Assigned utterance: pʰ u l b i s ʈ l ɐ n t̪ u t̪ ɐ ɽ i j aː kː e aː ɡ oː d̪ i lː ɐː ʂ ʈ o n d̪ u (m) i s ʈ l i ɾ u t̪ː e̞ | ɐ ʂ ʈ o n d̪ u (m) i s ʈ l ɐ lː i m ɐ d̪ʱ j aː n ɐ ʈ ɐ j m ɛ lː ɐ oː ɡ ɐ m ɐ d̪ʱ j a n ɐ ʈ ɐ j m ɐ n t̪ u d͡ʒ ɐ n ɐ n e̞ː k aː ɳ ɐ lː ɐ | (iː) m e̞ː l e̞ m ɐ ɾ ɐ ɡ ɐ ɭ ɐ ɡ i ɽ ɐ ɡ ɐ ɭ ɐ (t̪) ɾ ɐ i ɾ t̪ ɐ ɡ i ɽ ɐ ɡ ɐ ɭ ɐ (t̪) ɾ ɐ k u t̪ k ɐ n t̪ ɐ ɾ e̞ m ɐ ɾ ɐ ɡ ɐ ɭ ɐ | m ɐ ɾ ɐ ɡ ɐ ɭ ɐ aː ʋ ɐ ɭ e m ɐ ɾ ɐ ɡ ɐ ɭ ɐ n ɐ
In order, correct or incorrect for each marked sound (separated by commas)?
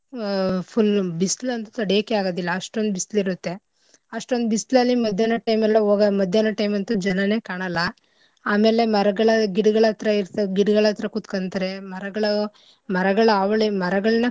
incorrect, incorrect, incorrect, correct, correct